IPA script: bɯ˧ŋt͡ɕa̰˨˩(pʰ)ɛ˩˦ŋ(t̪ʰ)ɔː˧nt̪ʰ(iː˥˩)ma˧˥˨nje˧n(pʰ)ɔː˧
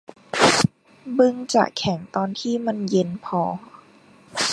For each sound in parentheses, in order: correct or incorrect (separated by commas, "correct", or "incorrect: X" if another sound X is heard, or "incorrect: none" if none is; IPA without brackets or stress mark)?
incorrect: kʰ, incorrect: t̪, correct, correct